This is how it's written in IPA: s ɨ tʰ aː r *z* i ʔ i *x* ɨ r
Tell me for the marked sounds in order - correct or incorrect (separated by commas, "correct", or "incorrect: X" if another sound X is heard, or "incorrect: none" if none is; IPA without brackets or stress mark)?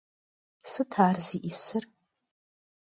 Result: correct, incorrect: s